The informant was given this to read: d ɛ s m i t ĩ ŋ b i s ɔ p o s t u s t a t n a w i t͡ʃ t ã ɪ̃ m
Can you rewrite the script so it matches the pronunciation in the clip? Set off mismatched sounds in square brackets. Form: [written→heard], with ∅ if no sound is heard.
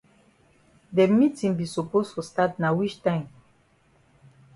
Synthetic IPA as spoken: d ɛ [s→∅] m i t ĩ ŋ b i s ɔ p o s t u s t a t n a w i t͡ʃ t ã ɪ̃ m